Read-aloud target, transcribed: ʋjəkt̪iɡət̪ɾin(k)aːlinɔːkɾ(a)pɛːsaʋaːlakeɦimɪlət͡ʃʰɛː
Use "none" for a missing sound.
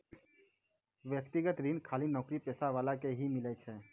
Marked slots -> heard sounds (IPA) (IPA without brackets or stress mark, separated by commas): kʰ, i